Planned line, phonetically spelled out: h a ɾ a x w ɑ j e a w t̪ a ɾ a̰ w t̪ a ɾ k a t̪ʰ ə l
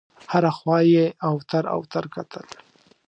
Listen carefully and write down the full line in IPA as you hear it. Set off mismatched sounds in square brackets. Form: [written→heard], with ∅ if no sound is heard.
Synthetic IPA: h a ɾ a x w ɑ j e a w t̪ a ɾ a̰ w t̪ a ɾ k a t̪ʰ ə l